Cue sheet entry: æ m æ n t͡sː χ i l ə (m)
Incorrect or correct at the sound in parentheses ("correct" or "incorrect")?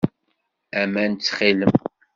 correct